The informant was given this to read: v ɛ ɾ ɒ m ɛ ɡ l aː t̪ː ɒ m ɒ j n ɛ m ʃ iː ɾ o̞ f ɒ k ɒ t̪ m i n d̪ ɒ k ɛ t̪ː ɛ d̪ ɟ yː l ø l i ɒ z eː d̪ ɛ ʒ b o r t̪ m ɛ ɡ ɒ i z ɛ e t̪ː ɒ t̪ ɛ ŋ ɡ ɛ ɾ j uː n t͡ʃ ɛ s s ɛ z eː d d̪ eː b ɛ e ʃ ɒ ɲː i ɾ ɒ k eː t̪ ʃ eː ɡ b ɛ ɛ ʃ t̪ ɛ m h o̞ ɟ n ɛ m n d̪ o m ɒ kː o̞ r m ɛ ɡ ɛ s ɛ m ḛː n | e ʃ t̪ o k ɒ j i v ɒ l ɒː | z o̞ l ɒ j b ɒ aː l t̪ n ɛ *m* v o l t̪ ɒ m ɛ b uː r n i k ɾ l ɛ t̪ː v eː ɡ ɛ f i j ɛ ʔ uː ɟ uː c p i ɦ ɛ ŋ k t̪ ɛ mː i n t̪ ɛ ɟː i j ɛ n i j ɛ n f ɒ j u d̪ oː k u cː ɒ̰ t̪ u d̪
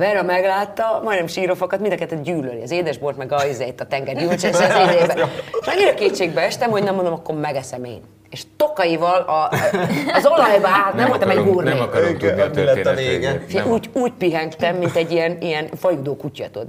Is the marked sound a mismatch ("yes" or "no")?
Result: no